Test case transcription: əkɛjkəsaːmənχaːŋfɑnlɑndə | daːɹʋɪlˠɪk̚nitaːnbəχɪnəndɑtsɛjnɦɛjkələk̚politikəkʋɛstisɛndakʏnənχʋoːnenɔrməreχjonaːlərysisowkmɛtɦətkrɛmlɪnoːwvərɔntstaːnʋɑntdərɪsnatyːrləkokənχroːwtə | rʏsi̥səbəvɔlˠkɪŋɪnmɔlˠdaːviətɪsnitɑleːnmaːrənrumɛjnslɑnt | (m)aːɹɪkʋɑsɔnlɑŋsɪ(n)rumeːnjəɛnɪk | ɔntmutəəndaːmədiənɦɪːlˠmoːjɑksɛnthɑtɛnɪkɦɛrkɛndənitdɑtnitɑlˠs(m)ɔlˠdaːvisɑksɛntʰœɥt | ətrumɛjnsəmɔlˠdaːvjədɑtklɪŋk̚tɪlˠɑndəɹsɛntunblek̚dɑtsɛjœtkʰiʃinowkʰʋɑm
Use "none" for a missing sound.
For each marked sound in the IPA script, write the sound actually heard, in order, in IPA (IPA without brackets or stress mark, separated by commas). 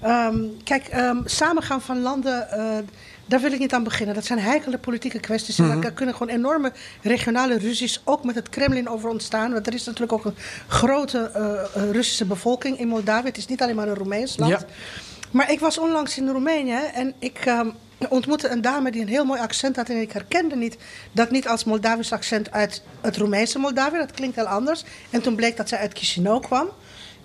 m, n, m